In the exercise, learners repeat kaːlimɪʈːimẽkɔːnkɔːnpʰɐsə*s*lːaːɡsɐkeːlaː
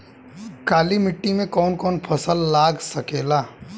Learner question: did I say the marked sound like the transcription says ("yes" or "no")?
no